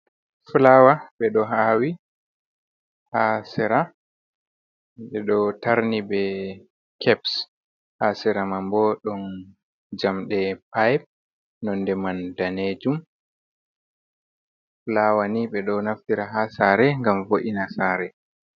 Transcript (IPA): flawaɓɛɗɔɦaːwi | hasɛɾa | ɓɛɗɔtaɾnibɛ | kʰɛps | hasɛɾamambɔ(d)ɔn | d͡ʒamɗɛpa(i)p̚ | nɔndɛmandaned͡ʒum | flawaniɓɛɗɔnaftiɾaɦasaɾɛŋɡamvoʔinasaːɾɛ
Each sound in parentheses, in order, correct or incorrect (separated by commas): incorrect, incorrect